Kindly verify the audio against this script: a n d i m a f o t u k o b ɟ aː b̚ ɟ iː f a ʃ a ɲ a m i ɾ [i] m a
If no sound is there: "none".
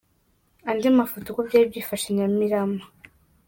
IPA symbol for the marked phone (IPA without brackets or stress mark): a